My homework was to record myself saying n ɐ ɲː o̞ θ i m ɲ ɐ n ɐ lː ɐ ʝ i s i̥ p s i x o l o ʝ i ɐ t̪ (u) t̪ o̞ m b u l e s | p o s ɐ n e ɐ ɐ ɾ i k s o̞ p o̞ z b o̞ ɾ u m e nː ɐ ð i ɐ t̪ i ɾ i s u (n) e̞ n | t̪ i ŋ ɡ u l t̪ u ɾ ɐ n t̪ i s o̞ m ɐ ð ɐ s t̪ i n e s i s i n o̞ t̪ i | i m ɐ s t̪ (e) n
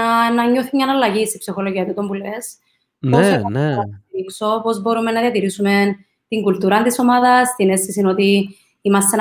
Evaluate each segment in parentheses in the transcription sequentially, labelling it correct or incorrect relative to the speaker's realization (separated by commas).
correct, incorrect, correct